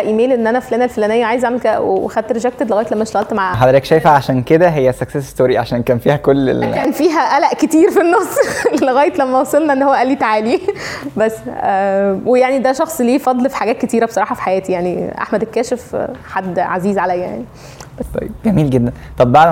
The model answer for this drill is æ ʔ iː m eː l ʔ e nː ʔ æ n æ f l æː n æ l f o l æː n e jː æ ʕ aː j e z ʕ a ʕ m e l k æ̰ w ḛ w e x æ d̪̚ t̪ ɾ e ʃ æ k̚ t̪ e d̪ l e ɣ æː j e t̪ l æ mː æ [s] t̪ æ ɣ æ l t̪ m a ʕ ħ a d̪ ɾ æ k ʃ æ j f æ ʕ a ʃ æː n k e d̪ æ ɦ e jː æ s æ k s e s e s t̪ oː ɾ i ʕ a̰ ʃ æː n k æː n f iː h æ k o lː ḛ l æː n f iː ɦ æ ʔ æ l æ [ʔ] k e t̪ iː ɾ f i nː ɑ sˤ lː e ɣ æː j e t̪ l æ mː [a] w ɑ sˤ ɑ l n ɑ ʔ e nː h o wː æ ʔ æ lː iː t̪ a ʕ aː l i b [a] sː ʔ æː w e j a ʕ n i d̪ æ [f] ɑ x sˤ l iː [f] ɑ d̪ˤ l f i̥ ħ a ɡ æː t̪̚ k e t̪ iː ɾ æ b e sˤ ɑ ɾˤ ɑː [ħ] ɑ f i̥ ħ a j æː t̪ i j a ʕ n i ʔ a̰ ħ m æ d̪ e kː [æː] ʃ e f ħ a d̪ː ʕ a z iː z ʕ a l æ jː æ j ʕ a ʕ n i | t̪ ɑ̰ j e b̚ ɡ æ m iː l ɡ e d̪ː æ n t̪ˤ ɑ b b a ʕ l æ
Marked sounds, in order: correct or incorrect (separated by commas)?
incorrect, correct, incorrect, incorrect, incorrect, correct, correct, correct